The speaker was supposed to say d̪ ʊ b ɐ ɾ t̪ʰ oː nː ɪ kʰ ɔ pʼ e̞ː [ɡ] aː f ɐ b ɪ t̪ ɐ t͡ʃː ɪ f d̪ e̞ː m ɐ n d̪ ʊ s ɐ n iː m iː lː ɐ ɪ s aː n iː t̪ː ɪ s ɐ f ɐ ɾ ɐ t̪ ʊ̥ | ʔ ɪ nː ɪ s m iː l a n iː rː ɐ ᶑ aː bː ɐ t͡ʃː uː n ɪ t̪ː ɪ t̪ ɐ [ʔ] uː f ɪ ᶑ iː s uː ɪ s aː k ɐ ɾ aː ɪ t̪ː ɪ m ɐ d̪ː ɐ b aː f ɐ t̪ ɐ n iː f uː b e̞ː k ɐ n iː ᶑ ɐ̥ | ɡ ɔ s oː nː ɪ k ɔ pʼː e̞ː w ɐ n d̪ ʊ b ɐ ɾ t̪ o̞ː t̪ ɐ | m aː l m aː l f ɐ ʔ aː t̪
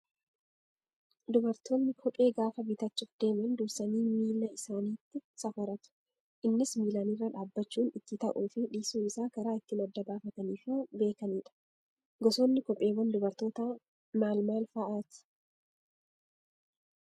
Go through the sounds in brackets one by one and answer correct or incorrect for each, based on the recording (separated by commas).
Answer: correct, correct